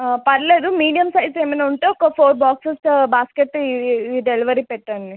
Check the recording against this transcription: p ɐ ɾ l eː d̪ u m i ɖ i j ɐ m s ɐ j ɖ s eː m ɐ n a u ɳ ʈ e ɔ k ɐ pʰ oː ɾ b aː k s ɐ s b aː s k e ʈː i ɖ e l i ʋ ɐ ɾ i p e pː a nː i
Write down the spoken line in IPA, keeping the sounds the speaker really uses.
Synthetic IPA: p ɐ ɾ l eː d̪ u m iː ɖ i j ɐ m s ɐ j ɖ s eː m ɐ n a u ɳ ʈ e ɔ k ɐ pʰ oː ɾ b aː k s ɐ s b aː s k e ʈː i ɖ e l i ʋ ɐ ɾ i p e ʈː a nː i

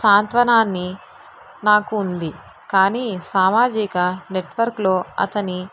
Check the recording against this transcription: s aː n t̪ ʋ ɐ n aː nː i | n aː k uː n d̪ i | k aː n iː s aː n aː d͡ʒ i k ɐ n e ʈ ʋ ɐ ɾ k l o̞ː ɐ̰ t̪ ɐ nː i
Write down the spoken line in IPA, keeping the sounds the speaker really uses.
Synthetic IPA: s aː n t̪ ʋ ɐ n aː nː i | n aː k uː n d̪ i | k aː n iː s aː m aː d͡ʒ i k ɐ n e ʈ ʋ ɐ ɾ k l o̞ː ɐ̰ t̪ ɐ n i

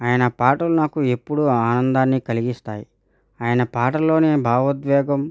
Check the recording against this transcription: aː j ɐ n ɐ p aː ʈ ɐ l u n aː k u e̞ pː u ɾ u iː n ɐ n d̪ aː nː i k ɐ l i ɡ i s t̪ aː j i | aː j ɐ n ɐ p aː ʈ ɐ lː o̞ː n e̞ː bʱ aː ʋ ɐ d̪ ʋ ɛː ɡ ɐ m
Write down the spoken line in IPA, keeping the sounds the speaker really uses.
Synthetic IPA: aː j ɐ n ɐ p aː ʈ ɐ l u n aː k u e̞ pː u ɽ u aː n ɐ n d̪ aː nː i k ɐ l i ɡ i s t̪ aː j i | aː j ɐ n ɐ p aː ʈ ɐ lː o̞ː n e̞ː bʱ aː ʋ ɐ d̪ ʋ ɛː ɡ ɐ m

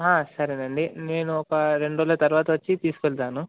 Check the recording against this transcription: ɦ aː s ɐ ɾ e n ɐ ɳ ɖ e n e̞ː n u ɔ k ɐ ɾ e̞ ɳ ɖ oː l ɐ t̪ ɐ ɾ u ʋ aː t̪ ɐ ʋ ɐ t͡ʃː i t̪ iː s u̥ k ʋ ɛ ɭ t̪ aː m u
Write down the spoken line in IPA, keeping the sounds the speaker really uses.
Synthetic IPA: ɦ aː s ɐ ɾ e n ɐ ɳ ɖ i n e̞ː n u ɔ k ɐ ɾ e̞ ɳ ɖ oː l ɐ t̪ ɐ ɾ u ʋ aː t̪ ɐ ʋ ɐ t͡ʃː i t̪ iː s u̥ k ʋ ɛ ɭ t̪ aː n u

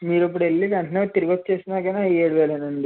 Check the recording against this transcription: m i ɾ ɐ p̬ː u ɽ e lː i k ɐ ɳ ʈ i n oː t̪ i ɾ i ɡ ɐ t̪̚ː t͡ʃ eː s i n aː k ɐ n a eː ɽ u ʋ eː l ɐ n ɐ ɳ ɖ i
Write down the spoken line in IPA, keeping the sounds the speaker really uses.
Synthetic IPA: m iː ɾ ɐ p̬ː u ɽ e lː i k ɐ ɳ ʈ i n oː t̪ i ɾ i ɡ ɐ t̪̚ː t͡ʃ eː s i n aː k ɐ n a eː ɽ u ʋ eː l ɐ n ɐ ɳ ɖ i

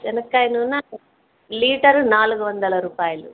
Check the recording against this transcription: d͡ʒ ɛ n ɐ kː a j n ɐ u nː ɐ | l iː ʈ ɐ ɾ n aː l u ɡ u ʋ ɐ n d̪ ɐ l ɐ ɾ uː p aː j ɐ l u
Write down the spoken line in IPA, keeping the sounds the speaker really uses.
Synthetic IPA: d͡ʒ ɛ n ɐ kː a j n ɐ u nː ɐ | l iː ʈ ɐ ɾ n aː l u ɡ u ʋ ɐ n d̪ ɐ l ɐ ɾ uː p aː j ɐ l u

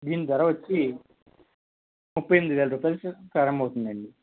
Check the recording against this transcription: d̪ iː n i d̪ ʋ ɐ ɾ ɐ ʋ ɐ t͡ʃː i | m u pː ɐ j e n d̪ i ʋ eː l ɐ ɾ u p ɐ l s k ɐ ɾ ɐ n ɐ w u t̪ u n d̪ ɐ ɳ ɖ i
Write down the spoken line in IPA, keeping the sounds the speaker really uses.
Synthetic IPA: d̪ iː n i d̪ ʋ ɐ ɾ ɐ ʋ ɐ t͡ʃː i | m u pː ɐ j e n d̪ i ʋ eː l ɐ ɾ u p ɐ l s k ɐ ɾ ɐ m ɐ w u t̪ u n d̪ ɐ ɳ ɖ i

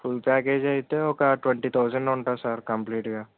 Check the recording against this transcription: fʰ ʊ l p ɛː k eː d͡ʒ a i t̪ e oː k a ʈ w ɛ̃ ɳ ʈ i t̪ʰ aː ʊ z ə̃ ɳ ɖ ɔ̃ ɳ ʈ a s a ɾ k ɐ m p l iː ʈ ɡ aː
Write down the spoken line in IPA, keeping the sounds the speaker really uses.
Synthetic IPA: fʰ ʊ l p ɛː k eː d͡ʒ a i t̪ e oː k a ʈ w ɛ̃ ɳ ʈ i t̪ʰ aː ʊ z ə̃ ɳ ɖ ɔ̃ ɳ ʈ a s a ɾ k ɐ m p l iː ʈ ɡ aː

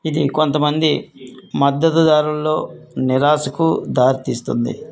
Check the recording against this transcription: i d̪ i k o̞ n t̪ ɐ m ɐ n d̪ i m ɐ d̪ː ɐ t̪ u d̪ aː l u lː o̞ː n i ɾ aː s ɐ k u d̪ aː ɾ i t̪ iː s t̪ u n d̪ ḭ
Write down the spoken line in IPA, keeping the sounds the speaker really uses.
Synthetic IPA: i d̪ i k o̞ n t̪ ɐ m ɐ n d̪ i m ɐ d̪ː ɐ t̪ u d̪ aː ɾ u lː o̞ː n i ɾ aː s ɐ k u d̪ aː ɾ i t̪ iː s t̪ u n d̪ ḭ

